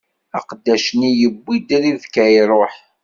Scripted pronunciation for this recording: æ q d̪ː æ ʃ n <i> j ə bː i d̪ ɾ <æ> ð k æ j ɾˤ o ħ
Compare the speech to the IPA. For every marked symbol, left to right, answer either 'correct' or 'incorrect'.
correct, incorrect: i

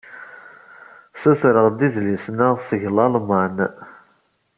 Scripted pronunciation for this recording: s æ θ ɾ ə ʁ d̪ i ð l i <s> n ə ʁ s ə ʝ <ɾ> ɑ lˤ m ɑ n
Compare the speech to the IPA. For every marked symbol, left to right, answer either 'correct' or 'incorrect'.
correct, incorrect: l

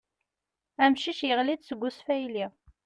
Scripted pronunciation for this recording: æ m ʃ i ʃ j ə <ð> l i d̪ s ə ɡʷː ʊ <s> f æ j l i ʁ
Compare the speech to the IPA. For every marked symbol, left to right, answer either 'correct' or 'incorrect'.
incorrect: ʁ, correct

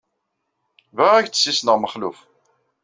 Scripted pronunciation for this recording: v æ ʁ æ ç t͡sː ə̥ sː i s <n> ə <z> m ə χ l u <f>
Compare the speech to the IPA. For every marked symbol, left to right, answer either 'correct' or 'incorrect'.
correct, incorrect: ʁ, correct

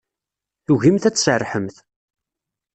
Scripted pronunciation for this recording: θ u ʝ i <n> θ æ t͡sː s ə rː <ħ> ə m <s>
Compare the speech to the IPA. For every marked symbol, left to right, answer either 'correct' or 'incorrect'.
incorrect: m, correct, incorrect: θ

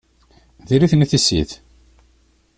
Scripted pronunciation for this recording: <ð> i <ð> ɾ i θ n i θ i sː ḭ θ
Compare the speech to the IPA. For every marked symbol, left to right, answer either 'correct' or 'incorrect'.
correct, incorrect: none

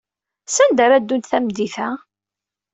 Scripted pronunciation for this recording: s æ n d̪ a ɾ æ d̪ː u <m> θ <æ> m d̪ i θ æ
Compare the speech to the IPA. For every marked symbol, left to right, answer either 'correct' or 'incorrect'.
incorrect: n, correct

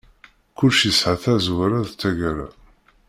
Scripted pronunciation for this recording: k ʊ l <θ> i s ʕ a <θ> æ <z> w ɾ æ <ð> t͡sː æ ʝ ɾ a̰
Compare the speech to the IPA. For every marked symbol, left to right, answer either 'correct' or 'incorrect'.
incorrect: ʃ, correct, correct, correct

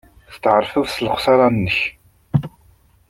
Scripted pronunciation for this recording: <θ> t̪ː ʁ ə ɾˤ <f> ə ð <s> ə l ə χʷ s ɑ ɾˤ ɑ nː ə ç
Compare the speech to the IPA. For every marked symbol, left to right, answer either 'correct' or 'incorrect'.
correct, correct, correct

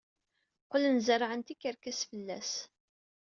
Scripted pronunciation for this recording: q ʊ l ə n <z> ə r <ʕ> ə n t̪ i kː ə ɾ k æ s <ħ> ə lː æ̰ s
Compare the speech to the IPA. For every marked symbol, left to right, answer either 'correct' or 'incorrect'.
correct, correct, incorrect: f

